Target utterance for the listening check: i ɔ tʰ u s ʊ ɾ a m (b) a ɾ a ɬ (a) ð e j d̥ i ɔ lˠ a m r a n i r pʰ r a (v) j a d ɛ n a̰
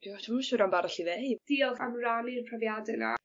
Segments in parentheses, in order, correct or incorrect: correct, incorrect: i, correct

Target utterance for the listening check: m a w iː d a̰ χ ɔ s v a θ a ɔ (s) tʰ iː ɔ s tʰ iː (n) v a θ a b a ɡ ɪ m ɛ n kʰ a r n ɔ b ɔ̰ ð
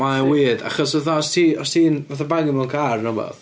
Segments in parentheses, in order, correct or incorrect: correct, correct

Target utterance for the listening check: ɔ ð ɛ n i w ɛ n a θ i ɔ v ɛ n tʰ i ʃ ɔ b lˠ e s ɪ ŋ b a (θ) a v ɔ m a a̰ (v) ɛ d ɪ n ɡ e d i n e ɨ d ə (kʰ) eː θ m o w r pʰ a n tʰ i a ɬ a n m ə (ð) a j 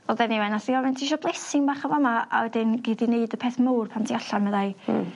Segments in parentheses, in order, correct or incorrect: incorrect: χ, incorrect: w, incorrect: pʰ, correct

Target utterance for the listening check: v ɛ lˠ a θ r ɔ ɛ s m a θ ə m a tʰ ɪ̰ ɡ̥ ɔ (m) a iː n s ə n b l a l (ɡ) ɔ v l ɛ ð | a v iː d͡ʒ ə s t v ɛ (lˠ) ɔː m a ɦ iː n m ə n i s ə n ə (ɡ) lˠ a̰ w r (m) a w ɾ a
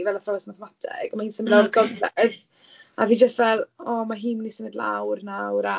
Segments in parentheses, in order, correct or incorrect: correct, correct, correct, incorrect: d, incorrect: n

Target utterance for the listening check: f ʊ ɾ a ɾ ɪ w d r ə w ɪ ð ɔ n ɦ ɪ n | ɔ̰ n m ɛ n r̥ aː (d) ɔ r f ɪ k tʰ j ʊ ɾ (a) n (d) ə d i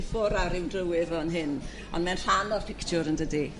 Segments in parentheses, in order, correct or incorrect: incorrect: n, incorrect: ə, correct

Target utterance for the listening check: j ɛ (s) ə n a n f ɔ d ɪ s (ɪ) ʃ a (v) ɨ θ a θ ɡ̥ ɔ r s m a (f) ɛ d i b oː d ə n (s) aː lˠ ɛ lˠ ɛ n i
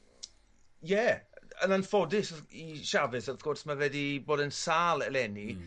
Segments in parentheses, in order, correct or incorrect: incorrect: none, incorrect: i, correct, incorrect: v, correct

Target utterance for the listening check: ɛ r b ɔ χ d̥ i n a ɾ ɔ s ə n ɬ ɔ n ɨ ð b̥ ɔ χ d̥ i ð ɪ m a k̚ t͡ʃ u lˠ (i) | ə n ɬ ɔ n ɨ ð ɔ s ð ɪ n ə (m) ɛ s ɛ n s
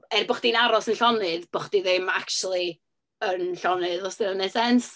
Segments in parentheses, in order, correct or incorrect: correct, incorrect: n

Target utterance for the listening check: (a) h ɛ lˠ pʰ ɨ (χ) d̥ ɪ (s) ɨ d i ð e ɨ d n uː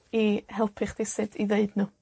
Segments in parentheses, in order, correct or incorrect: incorrect: i, correct, correct

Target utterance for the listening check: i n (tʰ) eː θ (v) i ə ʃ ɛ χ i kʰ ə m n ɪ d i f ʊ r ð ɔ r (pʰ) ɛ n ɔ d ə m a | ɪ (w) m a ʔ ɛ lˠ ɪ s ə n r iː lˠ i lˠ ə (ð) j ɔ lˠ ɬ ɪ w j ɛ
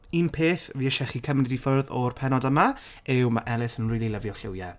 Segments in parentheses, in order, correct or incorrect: incorrect: pʰ, correct, correct, correct, incorrect: v

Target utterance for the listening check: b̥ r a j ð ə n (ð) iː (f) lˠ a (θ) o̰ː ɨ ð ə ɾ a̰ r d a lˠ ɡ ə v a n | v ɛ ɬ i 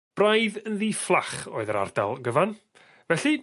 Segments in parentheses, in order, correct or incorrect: correct, correct, incorrect: χ

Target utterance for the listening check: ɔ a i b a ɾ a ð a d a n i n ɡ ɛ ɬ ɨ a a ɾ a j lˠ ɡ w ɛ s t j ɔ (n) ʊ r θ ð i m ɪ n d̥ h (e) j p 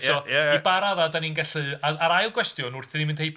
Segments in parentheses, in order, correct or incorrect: correct, correct

